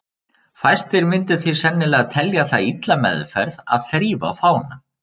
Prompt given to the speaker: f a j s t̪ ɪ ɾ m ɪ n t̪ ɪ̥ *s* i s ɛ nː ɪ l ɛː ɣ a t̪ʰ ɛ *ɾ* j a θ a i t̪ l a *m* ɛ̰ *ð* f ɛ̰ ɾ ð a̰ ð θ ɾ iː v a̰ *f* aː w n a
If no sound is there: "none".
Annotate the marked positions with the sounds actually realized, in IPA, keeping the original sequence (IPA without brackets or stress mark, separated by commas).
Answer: θ, l, m, ð, f